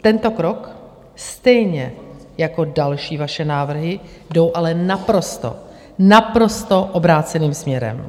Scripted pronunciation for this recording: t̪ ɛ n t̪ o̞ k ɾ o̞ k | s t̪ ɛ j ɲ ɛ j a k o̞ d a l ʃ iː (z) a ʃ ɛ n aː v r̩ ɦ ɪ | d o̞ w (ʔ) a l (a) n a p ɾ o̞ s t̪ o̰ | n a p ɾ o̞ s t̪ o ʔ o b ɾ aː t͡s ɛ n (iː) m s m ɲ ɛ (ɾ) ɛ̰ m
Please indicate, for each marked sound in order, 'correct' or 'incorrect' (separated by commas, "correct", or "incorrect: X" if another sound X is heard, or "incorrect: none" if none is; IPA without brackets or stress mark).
incorrect: v, correct, incorrect: ɛ, correct, correct